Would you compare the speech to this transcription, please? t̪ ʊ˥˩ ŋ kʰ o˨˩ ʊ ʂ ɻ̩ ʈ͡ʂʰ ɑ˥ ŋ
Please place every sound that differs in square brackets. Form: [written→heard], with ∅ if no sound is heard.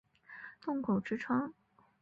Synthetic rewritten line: t̪ ʊ˥˩ ŋ kʰ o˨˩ ʊ [ʂ→ʈ͡ʂ] ɻ̩ ʈ͡ʂʰ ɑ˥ ŋ